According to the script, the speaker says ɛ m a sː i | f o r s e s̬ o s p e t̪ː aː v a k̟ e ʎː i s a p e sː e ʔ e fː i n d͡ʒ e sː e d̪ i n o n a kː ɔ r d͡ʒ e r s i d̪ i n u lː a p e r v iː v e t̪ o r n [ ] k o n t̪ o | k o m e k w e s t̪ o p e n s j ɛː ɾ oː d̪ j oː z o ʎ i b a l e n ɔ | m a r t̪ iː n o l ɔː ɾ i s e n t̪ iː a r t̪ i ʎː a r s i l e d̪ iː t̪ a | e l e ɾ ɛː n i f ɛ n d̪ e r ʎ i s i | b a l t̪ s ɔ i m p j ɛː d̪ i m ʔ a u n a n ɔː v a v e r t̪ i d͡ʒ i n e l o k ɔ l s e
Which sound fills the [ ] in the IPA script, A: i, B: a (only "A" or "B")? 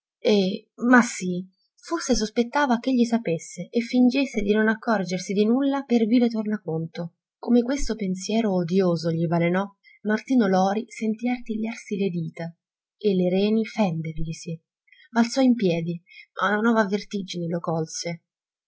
B